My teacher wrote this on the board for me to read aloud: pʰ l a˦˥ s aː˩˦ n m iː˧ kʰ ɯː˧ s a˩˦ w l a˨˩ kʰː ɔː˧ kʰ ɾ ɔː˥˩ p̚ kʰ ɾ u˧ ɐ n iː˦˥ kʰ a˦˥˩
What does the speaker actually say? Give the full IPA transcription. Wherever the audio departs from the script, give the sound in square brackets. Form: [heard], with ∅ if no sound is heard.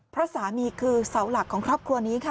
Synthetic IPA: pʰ [ɾ] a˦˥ s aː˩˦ [∅] m iː˧ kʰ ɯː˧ s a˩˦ w l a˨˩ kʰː [ɔː˩˦] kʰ ɾ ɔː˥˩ p̚ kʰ ɾ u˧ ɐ n iː˦˥ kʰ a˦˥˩

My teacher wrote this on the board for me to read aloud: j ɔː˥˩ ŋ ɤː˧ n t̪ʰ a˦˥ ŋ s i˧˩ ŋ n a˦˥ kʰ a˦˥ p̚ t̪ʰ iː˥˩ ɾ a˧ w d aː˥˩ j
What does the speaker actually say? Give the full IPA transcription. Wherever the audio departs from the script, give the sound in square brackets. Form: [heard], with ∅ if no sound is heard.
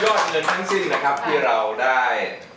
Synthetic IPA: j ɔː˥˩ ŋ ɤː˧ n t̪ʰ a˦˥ ŋ s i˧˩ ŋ n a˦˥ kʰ a˦˥ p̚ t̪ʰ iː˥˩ ɾ a˧ w d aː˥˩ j

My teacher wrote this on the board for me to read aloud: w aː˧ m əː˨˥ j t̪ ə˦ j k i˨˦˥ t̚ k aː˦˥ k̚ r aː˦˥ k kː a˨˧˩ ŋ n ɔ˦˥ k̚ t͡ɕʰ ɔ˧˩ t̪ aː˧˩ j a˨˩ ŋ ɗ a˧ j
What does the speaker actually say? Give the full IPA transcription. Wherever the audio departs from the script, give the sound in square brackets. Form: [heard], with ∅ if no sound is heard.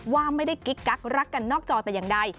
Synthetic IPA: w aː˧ m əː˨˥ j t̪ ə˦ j k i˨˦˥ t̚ k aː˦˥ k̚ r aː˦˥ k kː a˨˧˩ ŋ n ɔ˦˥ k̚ [t͡ɕ] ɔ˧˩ t̪ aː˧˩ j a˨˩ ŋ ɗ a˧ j

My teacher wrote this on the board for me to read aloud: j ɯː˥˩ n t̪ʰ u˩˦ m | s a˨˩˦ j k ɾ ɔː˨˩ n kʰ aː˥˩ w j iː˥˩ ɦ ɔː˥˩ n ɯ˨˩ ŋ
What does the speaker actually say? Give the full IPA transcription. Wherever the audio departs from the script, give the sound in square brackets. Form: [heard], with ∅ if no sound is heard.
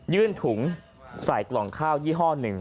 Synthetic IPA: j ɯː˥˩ n t̪ʰ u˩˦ [ŋ] | s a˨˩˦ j k [l] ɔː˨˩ [ŋ] kʰ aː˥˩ w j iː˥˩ ɦ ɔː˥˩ n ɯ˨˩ ŋ

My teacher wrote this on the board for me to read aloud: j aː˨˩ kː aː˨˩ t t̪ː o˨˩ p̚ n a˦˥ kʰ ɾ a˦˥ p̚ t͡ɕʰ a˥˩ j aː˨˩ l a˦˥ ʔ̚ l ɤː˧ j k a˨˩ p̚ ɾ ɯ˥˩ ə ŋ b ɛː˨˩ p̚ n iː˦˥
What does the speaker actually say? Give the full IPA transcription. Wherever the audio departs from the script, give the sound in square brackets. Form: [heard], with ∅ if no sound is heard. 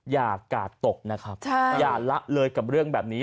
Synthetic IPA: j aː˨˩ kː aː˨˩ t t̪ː o˨˩ [k̚] n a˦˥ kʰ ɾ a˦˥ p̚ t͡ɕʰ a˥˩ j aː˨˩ l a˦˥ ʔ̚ l ɤː˧ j k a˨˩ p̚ ɾ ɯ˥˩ ə ŋ b ɛː˨˩ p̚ n iː˦˥

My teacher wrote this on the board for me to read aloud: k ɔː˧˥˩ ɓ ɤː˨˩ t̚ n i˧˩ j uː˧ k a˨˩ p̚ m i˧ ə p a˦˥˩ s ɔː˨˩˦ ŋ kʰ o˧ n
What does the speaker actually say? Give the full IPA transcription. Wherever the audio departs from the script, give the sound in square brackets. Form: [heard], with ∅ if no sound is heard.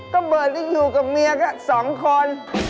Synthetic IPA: k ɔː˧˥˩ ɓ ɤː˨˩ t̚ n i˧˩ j [uː˨˩] k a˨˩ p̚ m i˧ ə [k] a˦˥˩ s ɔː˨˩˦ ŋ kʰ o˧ n

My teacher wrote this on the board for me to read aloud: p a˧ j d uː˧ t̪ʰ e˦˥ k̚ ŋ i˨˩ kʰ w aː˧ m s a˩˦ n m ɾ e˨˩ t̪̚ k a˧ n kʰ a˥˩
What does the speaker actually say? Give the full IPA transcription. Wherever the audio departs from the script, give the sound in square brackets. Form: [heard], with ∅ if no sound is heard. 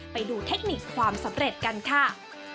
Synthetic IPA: p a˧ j d uː˧ t̪ʰ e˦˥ k̚ [n] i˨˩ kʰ w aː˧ m s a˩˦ [∅] m ɾ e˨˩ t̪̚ k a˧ n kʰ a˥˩

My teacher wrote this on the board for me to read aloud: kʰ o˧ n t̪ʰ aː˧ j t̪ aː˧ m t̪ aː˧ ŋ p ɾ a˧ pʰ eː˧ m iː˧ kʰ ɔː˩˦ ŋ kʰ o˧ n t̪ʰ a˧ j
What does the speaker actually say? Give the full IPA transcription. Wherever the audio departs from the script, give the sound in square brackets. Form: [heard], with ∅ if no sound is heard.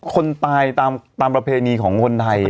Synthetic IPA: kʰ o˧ n [t̪] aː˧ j t̪ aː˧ m t̪ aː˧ [m] p ɾ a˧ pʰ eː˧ [n] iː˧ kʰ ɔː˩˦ ŋ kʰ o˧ n t̪ʰ a˧ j

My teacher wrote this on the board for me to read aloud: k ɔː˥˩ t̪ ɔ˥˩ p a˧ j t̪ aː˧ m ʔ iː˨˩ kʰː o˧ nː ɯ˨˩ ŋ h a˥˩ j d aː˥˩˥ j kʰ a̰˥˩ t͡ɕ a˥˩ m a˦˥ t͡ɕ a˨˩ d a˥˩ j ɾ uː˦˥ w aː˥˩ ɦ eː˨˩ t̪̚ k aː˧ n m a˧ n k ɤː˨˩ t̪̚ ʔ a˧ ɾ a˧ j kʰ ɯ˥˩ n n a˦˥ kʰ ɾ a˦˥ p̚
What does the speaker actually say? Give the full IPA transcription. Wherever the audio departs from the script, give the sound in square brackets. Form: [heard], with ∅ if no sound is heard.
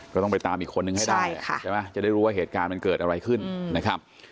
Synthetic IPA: k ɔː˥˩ t̪ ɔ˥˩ p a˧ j t̪ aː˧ m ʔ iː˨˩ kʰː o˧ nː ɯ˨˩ ŋ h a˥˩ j d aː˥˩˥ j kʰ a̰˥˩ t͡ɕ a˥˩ m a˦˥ t͡ɕ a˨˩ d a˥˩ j ɾ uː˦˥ w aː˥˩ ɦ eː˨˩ t̪̚ k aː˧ n m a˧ n k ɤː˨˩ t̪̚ ʔ a˧ ɾ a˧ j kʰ ɯ˥˩ n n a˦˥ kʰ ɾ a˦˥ p̚

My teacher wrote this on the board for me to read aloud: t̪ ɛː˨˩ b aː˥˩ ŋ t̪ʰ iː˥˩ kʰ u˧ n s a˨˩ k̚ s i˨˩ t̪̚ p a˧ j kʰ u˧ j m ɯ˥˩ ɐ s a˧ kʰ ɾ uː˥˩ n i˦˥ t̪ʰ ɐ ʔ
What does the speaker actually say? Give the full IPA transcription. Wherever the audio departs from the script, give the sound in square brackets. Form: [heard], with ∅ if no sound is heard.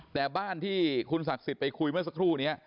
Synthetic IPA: t̪ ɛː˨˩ b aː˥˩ [n] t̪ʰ iː˥˩ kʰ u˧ n s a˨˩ k̚ s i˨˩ t̪̚ p a˧ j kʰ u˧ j m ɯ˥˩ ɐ s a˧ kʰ ɾ uː˥˩ n i˦˥ [∅] ɐ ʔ

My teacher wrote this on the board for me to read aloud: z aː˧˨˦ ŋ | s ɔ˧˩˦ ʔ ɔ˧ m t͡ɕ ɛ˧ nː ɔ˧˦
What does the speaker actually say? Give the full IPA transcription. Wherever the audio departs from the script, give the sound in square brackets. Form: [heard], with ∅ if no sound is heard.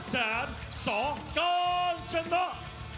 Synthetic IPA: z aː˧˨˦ [n] | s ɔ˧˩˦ [k] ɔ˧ [n] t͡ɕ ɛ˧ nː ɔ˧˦

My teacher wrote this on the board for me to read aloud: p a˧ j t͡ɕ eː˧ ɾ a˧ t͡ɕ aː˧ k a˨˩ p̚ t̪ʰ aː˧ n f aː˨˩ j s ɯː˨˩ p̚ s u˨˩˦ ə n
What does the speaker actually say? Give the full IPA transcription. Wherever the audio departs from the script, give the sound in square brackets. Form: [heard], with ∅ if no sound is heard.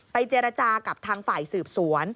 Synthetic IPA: p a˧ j t͡ɕ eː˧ ɾ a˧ t͡ɕ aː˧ k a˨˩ p̚ t̪ʰ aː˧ [ŋ] f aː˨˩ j s ɯː˨˩ p̚ s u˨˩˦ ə n

